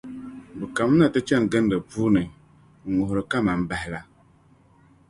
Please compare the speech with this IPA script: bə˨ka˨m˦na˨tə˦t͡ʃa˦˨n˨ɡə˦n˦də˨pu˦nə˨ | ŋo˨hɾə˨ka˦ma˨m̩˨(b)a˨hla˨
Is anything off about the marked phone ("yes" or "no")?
no